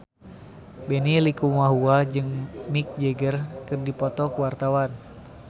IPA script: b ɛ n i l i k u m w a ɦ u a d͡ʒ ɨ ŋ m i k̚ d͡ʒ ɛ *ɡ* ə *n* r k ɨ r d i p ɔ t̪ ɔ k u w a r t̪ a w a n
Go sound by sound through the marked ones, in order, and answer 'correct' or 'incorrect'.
correct, incorrect: none

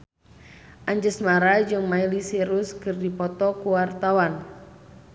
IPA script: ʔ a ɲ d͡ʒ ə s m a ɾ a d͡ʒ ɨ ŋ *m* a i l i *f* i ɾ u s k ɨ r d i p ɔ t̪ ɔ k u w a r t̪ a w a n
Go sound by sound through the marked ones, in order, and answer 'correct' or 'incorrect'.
correct, incorrect: s

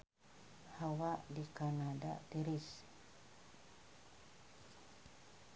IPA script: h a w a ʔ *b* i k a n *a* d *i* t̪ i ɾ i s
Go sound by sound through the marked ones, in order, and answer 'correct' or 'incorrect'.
incorrect: d, correct, incorrect: a

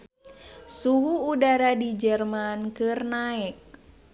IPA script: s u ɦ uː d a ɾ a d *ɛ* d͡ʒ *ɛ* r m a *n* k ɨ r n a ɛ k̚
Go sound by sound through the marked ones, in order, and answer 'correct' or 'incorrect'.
incorrect: i, correct, correct

